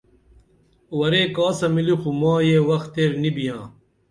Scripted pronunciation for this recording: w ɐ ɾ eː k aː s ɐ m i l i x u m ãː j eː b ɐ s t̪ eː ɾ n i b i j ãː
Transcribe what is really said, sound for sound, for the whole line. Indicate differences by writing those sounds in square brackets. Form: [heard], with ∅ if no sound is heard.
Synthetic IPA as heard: w ɐ ɾ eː k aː s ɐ m i l i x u m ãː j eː [w] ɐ [x] t̪ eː ɾ n i b i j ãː